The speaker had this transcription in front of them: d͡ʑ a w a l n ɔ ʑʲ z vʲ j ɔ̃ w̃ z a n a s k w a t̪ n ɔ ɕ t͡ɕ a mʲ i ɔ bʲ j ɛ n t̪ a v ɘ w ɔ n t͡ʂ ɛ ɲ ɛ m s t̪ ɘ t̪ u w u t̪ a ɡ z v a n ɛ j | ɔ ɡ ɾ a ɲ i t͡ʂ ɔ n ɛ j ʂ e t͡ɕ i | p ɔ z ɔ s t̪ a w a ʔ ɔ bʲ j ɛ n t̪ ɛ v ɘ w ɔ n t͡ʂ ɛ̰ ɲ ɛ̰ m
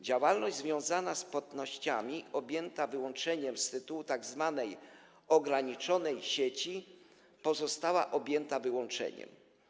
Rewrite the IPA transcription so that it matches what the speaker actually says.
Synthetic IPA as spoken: d͡ʑ a w a l n ɔ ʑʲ z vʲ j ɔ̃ w̃ z a n a s p w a t̪ n ɔ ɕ t͡ɕ a mʲ i ɔ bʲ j ɛ n t̪ a v ɘ w ɔ n t͡ʂ ɛ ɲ ɛ m s t̪ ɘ t̪ u w u t̪ a ɡ z v a n ɛ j | ɔ ɡ ɾ a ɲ i t͡ʂ ɔ n ɛ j ɕ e t͡ɕ i | p ɔ z ɔ s t̪ a w a ʔ ɔ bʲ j ɛ n t̪ a v ɘ w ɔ n t͡ʂ ɛ̰ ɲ ɛ̰ m

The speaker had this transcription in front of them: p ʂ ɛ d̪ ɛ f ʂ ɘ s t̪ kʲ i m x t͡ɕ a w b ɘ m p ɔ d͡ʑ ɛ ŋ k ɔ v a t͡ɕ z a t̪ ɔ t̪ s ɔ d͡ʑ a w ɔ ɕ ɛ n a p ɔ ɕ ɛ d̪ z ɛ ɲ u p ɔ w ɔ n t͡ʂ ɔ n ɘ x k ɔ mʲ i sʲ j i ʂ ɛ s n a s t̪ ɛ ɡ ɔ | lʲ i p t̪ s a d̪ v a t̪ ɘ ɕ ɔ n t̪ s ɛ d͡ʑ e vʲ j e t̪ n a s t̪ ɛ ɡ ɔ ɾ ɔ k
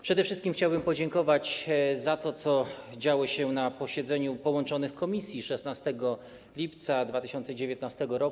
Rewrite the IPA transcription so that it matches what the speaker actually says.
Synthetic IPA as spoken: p ʂ ɛ d̪ ɛ f ʂ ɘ s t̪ kʲ i m x t͡ɕ a w b ɘ m p ɔ d͡ʑ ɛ ŋ k ɔ v a t͡ɕ z a t̪ ɔ t̪ s ɔ d͡ʑ a w ɔ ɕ ɛ n a p ɔ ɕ ɛ d̪ z ɛ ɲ u p ɔ w ɔ n t͡ʂ ɔ n ɘ x k ɔ mʲ i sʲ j i ʂ ɛ s n a s t̪ ɛ ɡ ɔ | lʲ i p t̪ s a d̪ v a t̪ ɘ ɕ ɔ n t̪ s ɛ d͡ʑ e vʲ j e t̪ n a s t̪ ɛ ɡ ɔ ɾ ɔ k

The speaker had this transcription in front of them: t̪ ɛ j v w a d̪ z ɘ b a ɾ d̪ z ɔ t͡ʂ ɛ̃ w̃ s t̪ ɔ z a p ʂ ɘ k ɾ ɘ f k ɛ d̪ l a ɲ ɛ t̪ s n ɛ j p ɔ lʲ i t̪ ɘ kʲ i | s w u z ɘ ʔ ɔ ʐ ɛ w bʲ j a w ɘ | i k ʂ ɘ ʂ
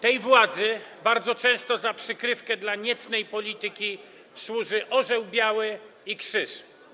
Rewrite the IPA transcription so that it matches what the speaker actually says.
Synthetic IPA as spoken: t̪ ɛ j v w a d̪ z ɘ b a ɾ d̪ z ɔ t͡ʂ ɛ̃ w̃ s t̪ ɔ z a p ʂ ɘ k ɾ ɘ f k ɛ d̪ l a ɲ ɛ t̪ s n ɛ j p ɔ lʲ i t̪ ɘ kʲ i | s w u ʐ ɘ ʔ ɔ ʐ ɛ w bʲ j a w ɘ | i k ʂ ɘ ʂ

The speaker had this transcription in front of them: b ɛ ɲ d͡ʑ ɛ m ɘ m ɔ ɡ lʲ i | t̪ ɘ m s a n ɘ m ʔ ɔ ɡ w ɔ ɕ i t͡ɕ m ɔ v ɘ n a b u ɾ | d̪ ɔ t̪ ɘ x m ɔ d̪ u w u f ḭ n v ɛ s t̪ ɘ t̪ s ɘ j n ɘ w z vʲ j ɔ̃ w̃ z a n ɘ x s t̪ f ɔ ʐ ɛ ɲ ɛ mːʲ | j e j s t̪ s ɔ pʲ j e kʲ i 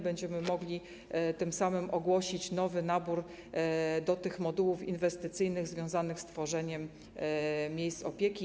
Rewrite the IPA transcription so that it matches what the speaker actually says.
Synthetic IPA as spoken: b ɛ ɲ d͡ʑ ɛ m ɘ m ɔ ɡ lʲ i | t̪ ɘ m s a m ɘ m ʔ ɔ ɡ w ɔ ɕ i t͡ɕ n ɔ v ɘ n a b u ɾ | d̪ ɔ t̪ ɘ x m ɔ d̪ u w u f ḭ n v ɛ s t̪ ɘ t̪ s ɘ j n ɘ ɣ z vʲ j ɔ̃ w̃ z a n ɘ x s t̪ f ɔ ʐ ɛ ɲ ɛ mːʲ | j e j s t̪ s ɔ pʲ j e kʲ i

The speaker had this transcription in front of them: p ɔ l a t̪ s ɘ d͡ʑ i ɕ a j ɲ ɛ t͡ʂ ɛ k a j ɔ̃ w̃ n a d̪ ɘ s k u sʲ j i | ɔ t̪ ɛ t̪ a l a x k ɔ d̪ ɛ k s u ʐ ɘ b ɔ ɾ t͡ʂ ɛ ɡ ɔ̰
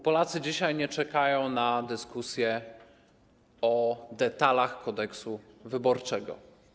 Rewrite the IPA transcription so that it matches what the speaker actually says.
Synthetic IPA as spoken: p ɔ l a t̪ s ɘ d͡ʑ i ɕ a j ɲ ɛ t͡ʂ ɛ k a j ɔ̃ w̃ n a d̪ ɘ s k u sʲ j ɛ | ɔ d̪ ɛ t̪ a l a x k ɔ d̪ ɛ k s u v ɘ b ɔ ɾ t͡ʂ ɛ ɡ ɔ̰

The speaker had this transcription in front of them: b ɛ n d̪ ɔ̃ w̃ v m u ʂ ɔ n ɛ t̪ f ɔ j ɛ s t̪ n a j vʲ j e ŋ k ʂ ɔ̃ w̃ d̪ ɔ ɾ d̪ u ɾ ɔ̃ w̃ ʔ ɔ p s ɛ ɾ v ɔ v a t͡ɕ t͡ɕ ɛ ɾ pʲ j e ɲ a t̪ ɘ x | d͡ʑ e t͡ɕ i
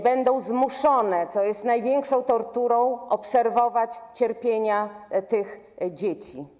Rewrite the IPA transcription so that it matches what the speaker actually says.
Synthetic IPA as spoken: b ɛ n d̪ ɔ̃ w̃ z m u ʂ ɔ n ɛ t̪ s ɔ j ɛ s t̪ n a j vʲ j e ŋ k ʂ ɔ̃ w̃ t̪ ɔ ɾ t̪ u ɾ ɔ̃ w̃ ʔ ɔ p s ɛ ɾ v ɔ v a t͡ɕ t͡ɕ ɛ ɾ pʲ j e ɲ a t̪ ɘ x | d͡ʑ e t͡ɕ i

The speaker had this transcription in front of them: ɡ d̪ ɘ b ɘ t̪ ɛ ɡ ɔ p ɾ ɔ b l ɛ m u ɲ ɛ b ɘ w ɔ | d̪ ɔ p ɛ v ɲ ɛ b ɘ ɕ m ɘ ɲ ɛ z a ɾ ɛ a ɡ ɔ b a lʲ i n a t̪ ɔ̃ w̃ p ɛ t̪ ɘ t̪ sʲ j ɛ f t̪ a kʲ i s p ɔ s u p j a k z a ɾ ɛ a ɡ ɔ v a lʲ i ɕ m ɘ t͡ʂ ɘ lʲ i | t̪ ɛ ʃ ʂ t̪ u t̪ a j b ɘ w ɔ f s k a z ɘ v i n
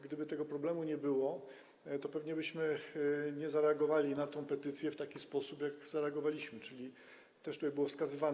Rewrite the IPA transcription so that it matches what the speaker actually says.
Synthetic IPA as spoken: ɡ d̪ ɘ b ɘ t̪ ɛ ɡ ɔ p ɾ ɔ b l ɛ m u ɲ ɛ b ɘ w ɔ | t̪ ɔ p ɛ v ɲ ɛ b ɘ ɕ m ɘ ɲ ɛ z a ɾ ɛ a ɡ ɔ v a lʲ i n a t̪ ɔ̃ w̃ p ɛ t̪ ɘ t̪ sʲ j ɛ f t̪ a kʲ i s p ɔ s u p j a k z a ɾ ɛ a ɡ ɔ v a lʲ i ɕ m ɘ t͡ʂ ɘ lʲ i | t̪ ɛ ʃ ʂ t̪ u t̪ a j b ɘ w ɔ f s k a z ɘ v a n

